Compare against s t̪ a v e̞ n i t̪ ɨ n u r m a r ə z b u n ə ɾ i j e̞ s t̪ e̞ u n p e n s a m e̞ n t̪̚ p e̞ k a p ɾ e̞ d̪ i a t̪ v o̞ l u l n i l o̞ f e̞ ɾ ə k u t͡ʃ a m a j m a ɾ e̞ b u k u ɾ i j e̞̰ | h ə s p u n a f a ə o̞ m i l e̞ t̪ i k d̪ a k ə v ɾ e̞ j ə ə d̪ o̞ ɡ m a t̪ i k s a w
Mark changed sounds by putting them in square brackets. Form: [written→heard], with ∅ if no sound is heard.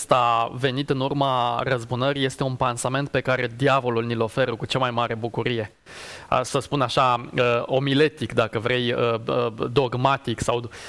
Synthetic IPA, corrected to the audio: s t̪ a v e̞ n i t̪ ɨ n u r m a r ə z b u n ə ɾ i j e̞ s t̪ e̞ u n p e n s a m e̞ n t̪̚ p e̞ k a [p→∅] ɾ e̞ d̪ i a [t̪→∅] v o̞ l u l n i l o̞ f e̞ ɾ ə k u t͡ʃ a m a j m a ɾ e̞ b u k u ɾ i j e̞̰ | [h→s] ə s p u n a [f→ʃ] a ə o̞ m i l e̞ t̪ i k d̪ a k ə v ɾ e̞ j ə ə d̪ o̞ ɡ m a t̪ i k s a w